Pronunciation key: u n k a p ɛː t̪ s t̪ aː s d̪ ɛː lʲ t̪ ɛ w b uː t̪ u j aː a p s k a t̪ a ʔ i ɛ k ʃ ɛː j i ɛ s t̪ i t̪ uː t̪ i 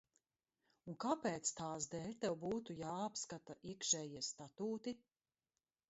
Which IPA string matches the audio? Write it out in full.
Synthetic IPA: u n k a p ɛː t̪ s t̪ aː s d̪ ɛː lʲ t̪ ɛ w b uː t̪ u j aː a p s k a t̪ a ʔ i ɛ k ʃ ɛː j i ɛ s t̪ a t̪ uː t̪ i